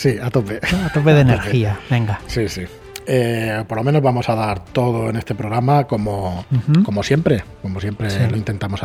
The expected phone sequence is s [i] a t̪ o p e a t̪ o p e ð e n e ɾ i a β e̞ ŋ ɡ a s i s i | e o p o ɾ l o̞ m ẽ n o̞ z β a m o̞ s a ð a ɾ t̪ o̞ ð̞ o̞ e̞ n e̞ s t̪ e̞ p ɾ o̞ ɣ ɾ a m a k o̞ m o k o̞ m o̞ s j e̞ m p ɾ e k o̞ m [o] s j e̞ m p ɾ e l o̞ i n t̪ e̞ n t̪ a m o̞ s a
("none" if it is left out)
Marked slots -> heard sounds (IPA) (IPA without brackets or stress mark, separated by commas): i, o